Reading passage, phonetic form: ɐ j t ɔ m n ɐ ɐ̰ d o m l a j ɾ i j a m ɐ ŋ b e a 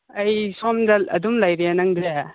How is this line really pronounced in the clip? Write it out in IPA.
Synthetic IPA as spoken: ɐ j s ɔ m d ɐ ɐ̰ d u m l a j ɾ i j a n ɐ ŋ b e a